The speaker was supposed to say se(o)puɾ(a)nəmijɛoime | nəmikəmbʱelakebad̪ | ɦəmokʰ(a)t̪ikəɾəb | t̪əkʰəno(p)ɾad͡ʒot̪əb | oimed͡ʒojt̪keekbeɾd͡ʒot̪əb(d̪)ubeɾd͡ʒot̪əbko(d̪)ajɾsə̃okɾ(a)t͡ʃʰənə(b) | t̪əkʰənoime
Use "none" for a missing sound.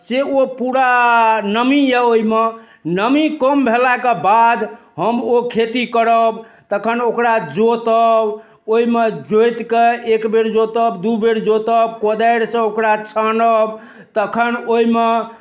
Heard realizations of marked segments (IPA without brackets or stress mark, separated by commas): o, a, e, k, d̪, d̪, a, b